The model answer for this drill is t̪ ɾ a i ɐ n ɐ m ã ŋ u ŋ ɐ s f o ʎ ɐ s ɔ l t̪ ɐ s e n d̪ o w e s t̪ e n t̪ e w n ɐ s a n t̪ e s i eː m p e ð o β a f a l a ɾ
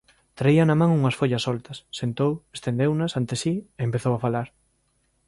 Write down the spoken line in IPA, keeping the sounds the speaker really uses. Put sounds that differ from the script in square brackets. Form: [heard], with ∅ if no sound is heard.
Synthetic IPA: t̪ ɾ a i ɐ n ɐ m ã ŋ u ŋ ɐ s f o ʎ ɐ s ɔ l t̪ ɐ [sː] e n [t̪] o w e s t̪ e n [d̪] e w n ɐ s a n t̪ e s i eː m p e [θ] o [w] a f a l a ɾ